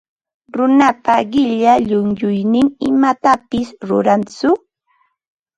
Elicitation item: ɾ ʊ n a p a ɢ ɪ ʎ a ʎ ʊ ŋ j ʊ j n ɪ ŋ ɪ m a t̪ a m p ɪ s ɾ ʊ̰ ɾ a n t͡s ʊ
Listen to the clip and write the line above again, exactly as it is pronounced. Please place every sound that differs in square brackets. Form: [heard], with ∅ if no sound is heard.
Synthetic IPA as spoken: ɾ ʊ n a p a ɢ ɪ ʎ a ʎ ʊ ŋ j ʊ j n ɪ ŋ ɪ m a t̪ a [∅] p ɪ s ɾ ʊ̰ ɾ a n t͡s ʊ